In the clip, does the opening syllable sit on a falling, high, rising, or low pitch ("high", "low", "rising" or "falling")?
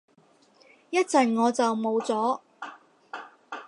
high